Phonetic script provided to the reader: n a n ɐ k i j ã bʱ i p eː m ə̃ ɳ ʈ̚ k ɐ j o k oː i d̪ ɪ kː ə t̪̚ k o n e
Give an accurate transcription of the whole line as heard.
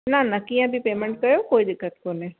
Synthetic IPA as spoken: n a n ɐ k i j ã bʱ i p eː m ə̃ ɳ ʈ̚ k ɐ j o k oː i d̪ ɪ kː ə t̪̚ k o n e

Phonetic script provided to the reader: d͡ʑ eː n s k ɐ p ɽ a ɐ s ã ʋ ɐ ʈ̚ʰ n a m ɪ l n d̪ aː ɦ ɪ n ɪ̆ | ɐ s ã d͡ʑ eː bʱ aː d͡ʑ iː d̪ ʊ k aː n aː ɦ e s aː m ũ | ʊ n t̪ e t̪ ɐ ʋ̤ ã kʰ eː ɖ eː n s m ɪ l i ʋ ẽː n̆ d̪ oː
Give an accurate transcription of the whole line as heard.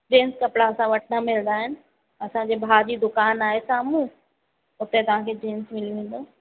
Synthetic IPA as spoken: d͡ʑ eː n s k ɐ p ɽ a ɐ s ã ʋ ɐ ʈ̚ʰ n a m ɪ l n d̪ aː ɦ ɪ n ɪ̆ | ɐ s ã d͡ʑ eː bʱ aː d͡ʑ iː d̪ ʊ k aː n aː ɦ e s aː m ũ | ʊ t̪ e t̪ ɐ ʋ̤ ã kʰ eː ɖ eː n s m ɪ l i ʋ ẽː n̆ d̪ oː

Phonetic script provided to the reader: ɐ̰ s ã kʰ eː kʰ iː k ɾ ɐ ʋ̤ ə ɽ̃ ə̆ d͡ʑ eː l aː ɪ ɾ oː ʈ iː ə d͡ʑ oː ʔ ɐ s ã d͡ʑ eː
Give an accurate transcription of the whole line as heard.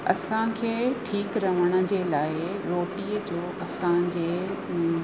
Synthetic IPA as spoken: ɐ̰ s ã kʰ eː ʈʰ iː k ɾ ɐ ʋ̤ ə ɽ̃ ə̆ d͡ʑ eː l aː ɪ ɾ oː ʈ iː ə d͡ʑ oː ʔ ɐ s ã d͡ʑ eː

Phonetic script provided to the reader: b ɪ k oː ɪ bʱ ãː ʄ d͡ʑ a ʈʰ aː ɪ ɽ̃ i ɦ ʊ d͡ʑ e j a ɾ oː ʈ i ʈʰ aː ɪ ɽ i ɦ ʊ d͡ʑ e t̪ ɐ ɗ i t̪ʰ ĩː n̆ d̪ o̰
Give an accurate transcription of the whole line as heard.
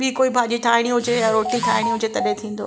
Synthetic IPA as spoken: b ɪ k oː i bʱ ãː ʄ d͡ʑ i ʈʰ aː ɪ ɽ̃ i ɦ ʊ d͡ʑ e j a ɾ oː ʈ i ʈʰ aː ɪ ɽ i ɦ ʊ d͡ʑ e t̪ ɐ ɗ e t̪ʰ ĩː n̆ d̪ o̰

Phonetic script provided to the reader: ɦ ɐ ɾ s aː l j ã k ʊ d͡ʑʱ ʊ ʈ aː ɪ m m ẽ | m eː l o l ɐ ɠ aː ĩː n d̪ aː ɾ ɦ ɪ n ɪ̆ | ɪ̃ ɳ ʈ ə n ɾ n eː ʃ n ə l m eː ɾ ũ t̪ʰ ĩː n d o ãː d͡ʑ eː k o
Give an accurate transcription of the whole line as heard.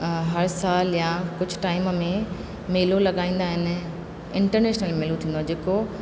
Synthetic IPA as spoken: ɦ ɐ ɾ s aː l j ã k ʊ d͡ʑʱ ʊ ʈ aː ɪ m m ẽ | m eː l o l ɐ ɠ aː ĩː n d̪ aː ɦ ɪ n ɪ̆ | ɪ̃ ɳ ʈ ə ɾ n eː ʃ n ə l m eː l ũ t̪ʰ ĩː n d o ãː d͡ʑ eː k o

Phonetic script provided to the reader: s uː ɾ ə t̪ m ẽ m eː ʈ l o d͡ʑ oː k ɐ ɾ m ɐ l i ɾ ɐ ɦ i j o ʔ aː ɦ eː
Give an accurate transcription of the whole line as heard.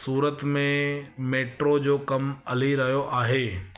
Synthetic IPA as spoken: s uː ɾ ə t̪ m ẽ m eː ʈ ɾ o d͡ʑ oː k ɐ m ɐ l i ɾ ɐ ɦ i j o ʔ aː ɦ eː

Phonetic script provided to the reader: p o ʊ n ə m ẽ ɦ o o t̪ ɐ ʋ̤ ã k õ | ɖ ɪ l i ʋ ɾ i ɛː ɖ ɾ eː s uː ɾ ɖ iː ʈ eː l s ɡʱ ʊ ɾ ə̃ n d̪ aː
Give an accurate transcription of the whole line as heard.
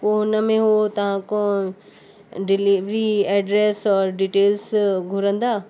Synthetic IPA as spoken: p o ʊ n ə m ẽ ɦ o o t̪ ɐ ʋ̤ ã k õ | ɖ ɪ l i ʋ ɾ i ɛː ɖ ɾ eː s ɔː ɾ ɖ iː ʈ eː l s ɡʱ ʊ ɾ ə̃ n d̪ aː

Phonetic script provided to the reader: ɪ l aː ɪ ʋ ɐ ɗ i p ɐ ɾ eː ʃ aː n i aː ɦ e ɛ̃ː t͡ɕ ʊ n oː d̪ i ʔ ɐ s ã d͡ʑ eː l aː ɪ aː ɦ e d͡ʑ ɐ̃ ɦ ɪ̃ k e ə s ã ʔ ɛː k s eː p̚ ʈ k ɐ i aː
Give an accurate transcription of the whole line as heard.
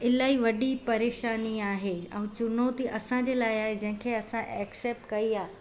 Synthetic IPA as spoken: ɪ l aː i ʋ ɐ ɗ i p ɐ ɾ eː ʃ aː n i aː ɦ e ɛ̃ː t͡ɕ ʊ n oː t̪ i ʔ ɐ s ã d͡ʑ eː l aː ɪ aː ɦ e d͡ʑ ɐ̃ ɦ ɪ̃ kʰ e ɐ s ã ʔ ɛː k s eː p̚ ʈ k ɐ i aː

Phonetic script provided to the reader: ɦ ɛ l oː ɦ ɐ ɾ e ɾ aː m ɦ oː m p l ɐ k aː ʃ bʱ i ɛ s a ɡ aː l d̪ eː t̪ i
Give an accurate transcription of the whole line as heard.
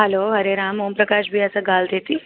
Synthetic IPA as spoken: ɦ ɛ l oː ɦ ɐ ɾ e ɾ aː m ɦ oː m p ɾ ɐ k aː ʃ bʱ i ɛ s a ɡ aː l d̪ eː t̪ i

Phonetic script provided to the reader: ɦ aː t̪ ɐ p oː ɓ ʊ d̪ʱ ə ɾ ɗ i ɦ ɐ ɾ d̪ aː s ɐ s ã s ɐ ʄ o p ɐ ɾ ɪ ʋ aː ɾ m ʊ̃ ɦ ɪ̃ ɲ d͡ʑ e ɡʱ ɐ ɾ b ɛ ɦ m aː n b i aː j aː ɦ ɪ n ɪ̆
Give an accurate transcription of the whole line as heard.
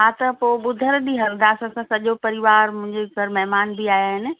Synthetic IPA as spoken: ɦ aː t̪ ɐ p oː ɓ ʊ d̪ʱ ə ɾ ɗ i ɦ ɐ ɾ d̪ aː s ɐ s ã s ɐ ʄ o p ɐ ɾ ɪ ʋ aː ɾ m ʊ̃ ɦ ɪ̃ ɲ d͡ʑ e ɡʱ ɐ ɾ m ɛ ɦ m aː n b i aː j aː ɦ ɪ n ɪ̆

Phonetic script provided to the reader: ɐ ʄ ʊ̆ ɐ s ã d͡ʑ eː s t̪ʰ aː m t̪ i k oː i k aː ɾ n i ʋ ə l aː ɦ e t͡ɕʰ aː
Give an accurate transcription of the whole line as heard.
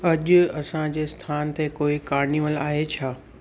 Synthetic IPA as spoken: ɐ ʄ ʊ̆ ɐ s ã d͡ʑ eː s t̪ʰ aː n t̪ e k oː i k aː ɾ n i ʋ ə l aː ɦ e t͡ɕʰ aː

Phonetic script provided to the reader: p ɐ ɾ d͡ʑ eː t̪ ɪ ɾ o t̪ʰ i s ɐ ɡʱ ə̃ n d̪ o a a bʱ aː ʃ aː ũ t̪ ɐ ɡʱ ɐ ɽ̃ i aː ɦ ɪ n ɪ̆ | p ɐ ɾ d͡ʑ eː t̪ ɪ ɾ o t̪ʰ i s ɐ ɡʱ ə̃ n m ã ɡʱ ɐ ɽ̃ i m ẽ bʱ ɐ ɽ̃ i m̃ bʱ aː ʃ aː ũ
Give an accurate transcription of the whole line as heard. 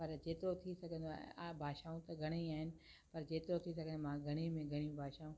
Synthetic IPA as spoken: p ɐ ɾ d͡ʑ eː t̪ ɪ ɾ o t̪ʰ i s ɐ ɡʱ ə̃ n d̪ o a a bʱ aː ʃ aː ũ t̪ ɐ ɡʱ ɐ ɽ̃ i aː ɦ ɪ n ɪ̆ | p ɐ ɾ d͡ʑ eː t̪ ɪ ɾ o t̪ʰ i s ɐ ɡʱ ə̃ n m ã ɡʱ ɐ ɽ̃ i m ẽ ɡʱ ɐ ɽ̃ i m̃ bʱ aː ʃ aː ũ

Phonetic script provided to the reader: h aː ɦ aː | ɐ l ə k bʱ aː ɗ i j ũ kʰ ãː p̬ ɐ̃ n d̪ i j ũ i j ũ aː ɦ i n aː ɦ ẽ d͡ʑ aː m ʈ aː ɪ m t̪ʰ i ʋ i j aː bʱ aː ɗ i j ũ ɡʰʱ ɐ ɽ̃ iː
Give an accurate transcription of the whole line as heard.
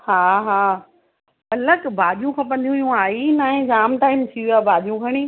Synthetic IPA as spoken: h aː ɦ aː | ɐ l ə k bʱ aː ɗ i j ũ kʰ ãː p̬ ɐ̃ n d̪ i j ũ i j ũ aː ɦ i n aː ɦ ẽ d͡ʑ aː m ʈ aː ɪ m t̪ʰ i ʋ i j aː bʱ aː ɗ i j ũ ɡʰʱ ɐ ɽ̃ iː

